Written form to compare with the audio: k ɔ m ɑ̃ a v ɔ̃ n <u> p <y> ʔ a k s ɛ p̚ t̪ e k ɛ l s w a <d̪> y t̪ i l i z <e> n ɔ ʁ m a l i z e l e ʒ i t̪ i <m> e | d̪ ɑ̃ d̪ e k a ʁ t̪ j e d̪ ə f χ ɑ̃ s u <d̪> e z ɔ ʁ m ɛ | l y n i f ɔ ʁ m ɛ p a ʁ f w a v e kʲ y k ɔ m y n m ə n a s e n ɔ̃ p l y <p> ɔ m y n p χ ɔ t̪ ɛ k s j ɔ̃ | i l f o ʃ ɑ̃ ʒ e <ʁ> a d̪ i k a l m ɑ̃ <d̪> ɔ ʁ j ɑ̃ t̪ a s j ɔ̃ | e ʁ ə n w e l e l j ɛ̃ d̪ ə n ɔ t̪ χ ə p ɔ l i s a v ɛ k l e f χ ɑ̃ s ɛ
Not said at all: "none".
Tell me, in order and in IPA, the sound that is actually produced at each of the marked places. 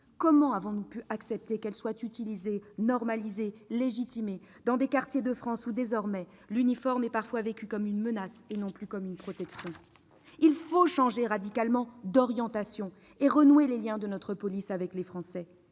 u, y, t̪, e, m, d̪, k, ʁ, d̪

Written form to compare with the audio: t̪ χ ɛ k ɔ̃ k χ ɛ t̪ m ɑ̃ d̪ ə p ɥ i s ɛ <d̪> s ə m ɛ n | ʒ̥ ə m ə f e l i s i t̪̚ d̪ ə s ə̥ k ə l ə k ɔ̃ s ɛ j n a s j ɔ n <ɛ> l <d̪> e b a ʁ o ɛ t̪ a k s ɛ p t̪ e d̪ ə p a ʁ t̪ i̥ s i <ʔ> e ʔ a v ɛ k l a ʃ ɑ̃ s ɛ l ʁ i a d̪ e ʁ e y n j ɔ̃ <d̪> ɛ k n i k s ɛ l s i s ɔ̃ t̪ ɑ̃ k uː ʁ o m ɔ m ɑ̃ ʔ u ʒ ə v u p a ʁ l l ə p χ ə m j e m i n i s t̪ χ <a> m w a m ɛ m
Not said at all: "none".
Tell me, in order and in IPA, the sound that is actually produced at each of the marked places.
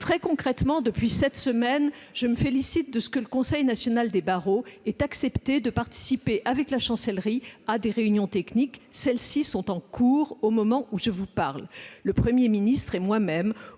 t̪, a, d̪, p, t̪, ɛ

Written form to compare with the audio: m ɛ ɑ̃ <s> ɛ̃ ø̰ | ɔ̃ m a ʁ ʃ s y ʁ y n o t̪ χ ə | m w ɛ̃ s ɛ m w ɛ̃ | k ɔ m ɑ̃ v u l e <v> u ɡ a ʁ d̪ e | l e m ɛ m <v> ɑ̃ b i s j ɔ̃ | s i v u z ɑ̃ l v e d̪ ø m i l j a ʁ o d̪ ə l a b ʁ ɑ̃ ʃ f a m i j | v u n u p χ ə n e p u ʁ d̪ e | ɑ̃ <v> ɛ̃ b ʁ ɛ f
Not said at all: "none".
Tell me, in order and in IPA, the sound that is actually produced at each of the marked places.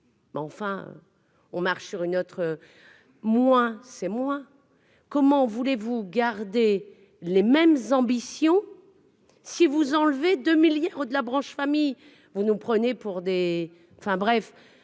f, v, z, f

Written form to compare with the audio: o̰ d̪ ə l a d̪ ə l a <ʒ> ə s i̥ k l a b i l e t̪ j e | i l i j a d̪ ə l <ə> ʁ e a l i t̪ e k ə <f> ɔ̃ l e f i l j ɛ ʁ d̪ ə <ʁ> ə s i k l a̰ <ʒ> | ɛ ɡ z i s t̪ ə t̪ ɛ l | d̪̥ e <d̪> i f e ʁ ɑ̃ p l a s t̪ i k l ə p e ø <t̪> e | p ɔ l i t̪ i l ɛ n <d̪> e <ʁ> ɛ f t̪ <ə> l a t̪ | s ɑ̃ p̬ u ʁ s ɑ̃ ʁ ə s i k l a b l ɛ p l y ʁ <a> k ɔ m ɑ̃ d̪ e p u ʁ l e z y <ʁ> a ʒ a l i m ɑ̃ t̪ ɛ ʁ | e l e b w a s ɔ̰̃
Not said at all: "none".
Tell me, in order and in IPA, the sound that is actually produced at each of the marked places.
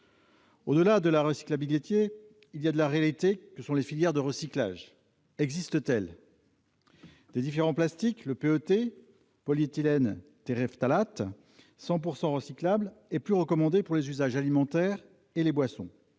ʁ, a, s, ʁ, ʒ, d̪, t̪, t̪, ʁ, a, ə, z

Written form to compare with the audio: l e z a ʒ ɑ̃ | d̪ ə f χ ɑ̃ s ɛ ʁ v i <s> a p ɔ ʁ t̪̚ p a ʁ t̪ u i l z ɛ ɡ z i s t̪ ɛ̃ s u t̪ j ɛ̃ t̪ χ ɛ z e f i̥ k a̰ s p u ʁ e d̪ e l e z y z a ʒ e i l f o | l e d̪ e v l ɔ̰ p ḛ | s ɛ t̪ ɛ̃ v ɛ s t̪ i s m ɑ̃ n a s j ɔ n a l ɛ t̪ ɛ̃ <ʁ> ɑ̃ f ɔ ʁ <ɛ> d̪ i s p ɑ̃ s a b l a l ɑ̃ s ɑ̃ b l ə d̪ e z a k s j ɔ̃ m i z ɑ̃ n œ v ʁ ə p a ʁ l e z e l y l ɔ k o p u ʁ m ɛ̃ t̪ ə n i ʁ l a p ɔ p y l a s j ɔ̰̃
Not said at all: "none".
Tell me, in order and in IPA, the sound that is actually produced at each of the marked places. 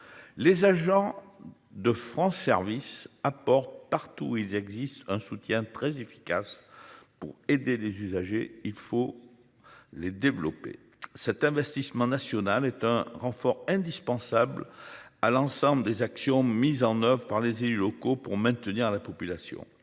s, ʁ, ɛ̃

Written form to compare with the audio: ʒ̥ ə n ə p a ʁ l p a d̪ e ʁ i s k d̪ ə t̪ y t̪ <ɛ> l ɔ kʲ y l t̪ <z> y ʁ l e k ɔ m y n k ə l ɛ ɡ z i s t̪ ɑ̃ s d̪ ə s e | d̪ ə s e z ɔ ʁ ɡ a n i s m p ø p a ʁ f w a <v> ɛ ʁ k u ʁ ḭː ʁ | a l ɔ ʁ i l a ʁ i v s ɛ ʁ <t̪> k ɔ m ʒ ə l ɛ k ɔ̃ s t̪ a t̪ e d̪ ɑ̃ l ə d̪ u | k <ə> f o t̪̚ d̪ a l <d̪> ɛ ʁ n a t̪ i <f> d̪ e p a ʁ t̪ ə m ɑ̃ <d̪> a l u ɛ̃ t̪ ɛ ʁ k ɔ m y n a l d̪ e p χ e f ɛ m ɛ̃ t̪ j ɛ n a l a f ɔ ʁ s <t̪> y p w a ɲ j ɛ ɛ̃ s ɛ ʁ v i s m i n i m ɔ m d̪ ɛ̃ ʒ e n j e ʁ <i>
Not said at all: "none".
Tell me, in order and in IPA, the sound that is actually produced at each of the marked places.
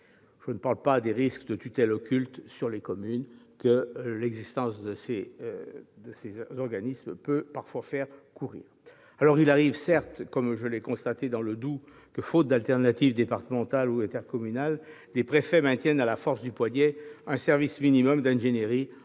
ɛ, s, f, t̪, ə, t̪, v, t̪, d̪, i

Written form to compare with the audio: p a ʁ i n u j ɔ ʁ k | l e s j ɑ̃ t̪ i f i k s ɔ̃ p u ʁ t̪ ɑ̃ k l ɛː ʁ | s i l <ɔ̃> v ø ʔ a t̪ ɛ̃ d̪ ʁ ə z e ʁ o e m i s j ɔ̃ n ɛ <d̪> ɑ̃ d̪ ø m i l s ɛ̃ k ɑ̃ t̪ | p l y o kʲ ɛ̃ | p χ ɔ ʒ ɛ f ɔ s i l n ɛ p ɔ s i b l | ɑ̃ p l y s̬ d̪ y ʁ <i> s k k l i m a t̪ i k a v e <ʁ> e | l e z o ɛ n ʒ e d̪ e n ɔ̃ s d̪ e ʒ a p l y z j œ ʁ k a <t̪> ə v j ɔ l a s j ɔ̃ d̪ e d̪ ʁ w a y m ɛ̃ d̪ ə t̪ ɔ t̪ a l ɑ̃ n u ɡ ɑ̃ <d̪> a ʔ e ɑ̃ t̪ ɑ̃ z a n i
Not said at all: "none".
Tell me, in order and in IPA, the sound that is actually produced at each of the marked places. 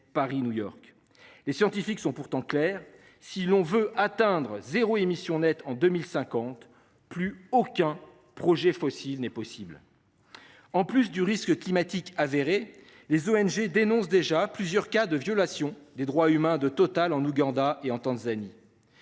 ɔ̃, t̪, i, ʁ, d̪, d̪

